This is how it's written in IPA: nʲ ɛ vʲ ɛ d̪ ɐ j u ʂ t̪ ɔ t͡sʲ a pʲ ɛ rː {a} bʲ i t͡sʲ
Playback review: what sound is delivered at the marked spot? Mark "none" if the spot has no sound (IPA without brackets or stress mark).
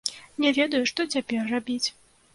a